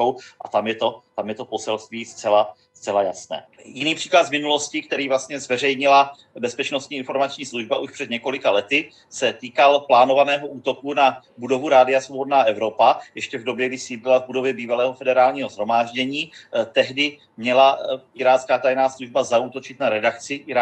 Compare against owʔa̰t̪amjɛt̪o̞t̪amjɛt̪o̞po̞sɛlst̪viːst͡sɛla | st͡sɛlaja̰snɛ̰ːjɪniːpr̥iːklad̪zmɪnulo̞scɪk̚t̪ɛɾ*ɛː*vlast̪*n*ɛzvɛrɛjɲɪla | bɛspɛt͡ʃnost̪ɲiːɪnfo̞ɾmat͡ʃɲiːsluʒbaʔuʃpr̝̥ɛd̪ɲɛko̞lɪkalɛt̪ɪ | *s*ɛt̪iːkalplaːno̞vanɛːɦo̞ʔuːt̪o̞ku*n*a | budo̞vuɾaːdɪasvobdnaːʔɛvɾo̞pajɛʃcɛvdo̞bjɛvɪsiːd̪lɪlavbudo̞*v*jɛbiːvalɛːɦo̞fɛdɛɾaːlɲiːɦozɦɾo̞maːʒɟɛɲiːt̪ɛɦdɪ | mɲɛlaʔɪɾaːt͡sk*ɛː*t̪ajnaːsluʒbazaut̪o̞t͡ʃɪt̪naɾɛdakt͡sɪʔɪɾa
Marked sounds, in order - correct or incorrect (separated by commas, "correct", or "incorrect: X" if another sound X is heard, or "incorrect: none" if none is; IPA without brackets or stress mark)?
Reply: incorrect: iː, incorrect: ɲ, correct, correct, correct, incorrect: aː